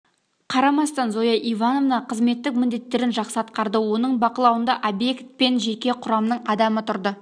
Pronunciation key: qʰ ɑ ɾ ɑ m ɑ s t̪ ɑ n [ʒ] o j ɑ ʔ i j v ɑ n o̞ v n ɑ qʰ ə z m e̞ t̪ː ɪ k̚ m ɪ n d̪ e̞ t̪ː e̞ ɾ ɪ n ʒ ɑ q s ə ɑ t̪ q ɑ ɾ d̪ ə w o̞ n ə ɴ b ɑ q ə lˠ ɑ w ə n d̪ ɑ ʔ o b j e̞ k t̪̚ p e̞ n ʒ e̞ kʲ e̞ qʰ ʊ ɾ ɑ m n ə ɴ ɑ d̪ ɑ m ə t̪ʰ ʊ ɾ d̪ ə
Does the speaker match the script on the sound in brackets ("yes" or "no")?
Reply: no